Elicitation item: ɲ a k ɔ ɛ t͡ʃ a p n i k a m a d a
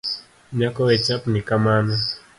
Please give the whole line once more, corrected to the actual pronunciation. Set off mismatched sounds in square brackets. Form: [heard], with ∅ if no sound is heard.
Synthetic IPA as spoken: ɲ a k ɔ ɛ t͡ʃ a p n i k a m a [n] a